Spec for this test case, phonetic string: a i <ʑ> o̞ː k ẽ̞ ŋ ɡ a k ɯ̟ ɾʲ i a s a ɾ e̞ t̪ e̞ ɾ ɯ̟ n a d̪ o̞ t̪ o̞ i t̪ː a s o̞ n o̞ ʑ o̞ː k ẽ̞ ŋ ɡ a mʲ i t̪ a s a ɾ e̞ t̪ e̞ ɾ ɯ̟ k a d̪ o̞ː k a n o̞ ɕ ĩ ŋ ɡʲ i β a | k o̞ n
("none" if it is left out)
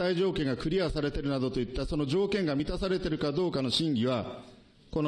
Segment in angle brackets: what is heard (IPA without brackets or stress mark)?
ʑ